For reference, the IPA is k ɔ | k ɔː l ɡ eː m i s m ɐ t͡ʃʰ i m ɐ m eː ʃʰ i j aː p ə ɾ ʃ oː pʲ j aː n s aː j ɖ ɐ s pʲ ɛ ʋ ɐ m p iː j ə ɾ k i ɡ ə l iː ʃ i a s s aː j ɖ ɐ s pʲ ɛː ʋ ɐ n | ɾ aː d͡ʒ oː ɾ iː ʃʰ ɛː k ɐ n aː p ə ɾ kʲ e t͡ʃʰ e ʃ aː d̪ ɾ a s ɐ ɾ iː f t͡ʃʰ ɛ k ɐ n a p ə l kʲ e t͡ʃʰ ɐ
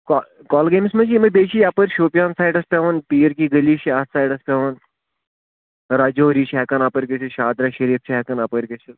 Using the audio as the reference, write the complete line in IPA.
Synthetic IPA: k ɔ | k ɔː l ɡ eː m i s m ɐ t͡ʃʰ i m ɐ b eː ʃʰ i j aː p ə ɾ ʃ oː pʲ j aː n s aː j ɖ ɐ s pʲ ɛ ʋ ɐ n p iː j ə ɾ k i ɡ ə l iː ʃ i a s s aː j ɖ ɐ s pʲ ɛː ʋ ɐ n | ɾ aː d͡ʒ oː ɾ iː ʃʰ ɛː k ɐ n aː p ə ɾ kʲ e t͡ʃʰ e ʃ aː d̪ ɾ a ʃ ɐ ɾ iː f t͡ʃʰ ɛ k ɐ n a p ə ɾ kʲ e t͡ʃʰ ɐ